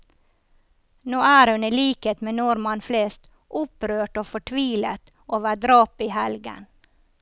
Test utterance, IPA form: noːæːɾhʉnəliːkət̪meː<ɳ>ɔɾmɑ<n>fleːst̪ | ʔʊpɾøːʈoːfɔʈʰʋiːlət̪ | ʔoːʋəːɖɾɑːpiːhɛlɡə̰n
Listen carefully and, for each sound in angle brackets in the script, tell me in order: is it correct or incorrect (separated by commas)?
incorrect, correct